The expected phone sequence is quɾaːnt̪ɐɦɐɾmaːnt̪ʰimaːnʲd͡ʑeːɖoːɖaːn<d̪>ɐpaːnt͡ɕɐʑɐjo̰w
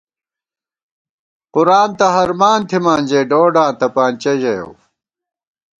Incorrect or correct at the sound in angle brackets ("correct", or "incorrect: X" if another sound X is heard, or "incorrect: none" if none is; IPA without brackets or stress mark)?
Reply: incorrect: t̪